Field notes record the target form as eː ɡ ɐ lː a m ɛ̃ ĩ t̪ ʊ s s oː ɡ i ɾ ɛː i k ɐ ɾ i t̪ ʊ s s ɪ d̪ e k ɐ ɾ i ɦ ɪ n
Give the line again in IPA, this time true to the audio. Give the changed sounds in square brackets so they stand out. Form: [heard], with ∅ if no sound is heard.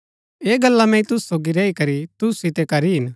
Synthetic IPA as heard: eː ɡ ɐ lː a m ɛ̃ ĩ t̪ ʊ s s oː ɡ i ɾ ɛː i k ɐ ɾ i t̪ ʊ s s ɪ [t̪] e k ɐ ɾ i ɦ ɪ n